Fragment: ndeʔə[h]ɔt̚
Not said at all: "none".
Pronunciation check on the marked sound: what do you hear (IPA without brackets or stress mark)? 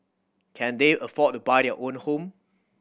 f